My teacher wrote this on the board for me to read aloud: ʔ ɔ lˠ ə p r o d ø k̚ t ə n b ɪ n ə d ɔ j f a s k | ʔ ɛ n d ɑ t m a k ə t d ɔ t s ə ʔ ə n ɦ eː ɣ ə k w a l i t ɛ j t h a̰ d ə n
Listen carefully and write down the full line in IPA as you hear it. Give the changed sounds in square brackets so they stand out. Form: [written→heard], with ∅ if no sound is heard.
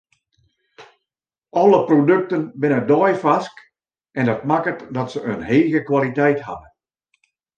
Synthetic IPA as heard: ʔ ɔ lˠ ə p r o d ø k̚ t ə n b ɪ n ə d ɔ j f a s k | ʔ ɛ n d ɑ t m a k ə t d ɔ t s ə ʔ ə n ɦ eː ɣ ə k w a l i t ɛ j t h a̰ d ə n